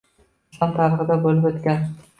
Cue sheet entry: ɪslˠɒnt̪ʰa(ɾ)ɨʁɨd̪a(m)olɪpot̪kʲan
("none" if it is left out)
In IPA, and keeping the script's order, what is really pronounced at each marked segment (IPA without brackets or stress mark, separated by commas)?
ɾ, b